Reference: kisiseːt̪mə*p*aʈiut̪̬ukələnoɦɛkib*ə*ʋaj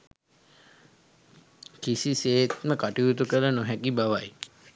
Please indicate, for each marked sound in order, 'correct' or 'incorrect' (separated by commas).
incorrect, incorrect